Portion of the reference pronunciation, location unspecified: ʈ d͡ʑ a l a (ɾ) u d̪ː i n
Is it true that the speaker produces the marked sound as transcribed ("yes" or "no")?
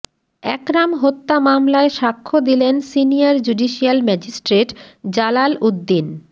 no